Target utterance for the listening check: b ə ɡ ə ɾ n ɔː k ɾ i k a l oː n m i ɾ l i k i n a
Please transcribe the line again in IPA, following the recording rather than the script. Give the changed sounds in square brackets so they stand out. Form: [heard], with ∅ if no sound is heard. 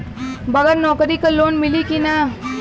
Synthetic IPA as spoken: b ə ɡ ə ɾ n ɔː k ɾ i k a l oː n m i [∅] l i k i n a

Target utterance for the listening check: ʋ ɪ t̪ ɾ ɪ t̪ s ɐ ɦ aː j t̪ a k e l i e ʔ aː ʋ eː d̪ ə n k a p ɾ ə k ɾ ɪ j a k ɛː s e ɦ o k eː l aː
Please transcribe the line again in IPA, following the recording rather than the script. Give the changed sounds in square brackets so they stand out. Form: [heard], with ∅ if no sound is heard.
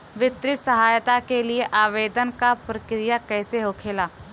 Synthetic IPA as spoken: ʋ ɪ t̪ ɾ ɪ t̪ s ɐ ɦ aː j t̪ a k e l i e ʔ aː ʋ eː d̪ ə n k a p ɾ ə k ɾ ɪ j a k ɛː s e ɦ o [kʰ] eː l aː

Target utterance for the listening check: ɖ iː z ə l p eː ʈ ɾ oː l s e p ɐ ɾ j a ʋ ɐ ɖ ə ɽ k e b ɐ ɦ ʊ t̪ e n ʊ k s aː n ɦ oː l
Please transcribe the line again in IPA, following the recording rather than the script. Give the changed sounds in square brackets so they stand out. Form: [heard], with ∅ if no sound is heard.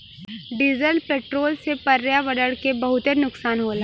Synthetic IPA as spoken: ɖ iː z ə l p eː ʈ ɾ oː l s e p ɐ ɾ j a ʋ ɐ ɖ ə ɽ k e b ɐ ɦ ʊ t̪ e n ʊ k s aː n ɦ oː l

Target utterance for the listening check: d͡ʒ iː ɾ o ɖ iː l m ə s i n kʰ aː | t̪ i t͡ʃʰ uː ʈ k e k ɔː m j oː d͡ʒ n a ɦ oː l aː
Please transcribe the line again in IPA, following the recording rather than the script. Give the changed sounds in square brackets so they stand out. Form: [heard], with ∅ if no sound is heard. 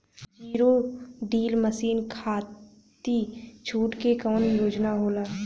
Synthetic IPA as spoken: d͡ʒ iː ɾ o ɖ iː l m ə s [iː] n kʰ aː | t̪ i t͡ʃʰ uː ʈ k e k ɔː [n] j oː d͡ʒ n a ɦ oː l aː

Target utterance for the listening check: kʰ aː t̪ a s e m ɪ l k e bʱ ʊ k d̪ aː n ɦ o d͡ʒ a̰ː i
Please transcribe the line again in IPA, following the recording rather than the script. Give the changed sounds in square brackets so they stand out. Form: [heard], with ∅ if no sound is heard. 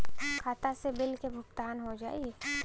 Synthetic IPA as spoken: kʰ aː t̪ a s e [b] ɪ l k e bʱ ʊ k [t̪] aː n ɦ o d͡ʒ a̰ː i

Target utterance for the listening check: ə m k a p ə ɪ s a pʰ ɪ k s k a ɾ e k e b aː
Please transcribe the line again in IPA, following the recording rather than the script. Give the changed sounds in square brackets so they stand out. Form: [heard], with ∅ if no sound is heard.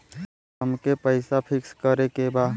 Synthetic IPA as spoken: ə m k [e] p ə ɪ s a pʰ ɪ k s k [ə] ɾ e k e b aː

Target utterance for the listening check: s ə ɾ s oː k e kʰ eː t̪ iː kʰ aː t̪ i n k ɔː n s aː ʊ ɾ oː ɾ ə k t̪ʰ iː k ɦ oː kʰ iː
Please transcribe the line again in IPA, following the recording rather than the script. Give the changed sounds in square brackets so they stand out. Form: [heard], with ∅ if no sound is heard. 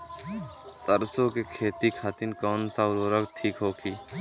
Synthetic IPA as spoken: s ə ɾ s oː k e kʰ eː t̪ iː kʰ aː t̪ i n k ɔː n s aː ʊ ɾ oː ɾ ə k t̪ʰ iː k ɦ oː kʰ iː

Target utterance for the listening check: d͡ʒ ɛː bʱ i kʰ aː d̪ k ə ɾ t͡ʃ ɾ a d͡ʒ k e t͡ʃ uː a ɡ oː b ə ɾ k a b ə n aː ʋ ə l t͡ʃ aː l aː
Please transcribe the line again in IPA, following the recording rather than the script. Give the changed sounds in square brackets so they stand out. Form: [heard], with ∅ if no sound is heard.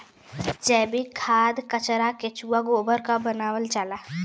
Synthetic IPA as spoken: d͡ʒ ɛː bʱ i kʰ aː d̪ k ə [∅] t͡ʃ ɾ a [∅] k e t͡ʃ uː a ɡ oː b ə ɾ k a b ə n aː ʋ ə l t͡ʃ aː l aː

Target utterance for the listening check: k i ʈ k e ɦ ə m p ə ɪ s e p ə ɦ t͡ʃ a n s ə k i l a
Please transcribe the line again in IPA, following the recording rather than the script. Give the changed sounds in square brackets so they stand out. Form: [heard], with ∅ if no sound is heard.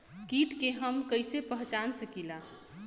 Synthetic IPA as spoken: k i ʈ k e ɦ ə m [k] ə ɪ s e p ə ɦ t͡ʃ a n s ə k i l a

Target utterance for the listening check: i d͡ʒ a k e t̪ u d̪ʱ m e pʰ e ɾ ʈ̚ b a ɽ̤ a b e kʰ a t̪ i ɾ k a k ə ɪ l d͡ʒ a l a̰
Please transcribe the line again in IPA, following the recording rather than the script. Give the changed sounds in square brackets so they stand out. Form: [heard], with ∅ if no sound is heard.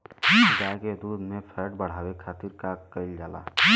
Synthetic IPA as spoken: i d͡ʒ a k e [d̪] u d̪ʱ m e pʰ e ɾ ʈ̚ b [ə] ɽ̤ a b e kʰ a t̪ i ɾ k a k ə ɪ l d͡ʒ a l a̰

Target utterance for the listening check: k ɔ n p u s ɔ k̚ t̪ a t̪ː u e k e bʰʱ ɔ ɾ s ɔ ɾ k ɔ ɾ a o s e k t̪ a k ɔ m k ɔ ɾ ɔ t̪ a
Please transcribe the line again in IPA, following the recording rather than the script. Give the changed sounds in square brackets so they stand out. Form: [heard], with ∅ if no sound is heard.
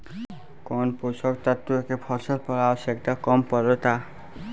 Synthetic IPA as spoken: k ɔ n p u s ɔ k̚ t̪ a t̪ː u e k e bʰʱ ɔ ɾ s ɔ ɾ [p] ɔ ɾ a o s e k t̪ a k ɔ m [p] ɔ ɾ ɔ t̪ a

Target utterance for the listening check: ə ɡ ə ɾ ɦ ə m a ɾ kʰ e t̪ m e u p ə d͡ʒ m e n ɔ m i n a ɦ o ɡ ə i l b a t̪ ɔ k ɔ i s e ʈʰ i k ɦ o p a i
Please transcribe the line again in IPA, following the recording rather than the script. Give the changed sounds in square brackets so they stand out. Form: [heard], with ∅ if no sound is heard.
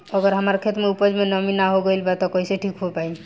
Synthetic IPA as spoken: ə ɡ ə ɾ ɦ ə m a ɾ kʰ e t̪ m e u p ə d͡ʒ m e n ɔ m i n a ɦ o ɡ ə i l b a t̪ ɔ k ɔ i s e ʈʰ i k ɦ o p a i

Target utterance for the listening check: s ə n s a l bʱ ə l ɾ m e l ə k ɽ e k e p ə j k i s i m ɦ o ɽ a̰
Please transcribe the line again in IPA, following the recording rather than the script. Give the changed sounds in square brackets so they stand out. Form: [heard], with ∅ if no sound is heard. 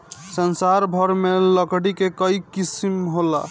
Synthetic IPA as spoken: s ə n s a [ɾ] bʱ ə [∅] ɾ m e l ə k ɽ [i] k e [k] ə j k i s i m ɦ o [l] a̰

